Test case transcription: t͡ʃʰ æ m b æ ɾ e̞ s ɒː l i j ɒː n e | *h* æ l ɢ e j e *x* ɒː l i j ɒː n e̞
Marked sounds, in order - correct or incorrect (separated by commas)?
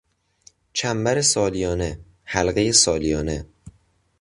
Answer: correct, incorrect